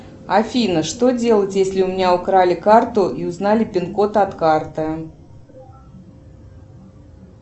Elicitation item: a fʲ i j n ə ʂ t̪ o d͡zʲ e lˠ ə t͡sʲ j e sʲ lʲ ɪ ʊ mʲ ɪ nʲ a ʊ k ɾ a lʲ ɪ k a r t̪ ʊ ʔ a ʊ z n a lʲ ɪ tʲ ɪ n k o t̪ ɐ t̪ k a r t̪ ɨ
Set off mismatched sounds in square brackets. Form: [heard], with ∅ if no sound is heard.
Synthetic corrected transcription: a fʲ i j n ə ʂ t̪ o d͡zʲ e lˠ ə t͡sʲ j e sʲ lʲ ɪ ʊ mʲ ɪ nʲ a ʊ k ɾ a lʲ ɪ k a r t̪ ʊ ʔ [i] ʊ z n a lʲ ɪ [pʲ] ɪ n k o t̪ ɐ t̪ k a r t̪ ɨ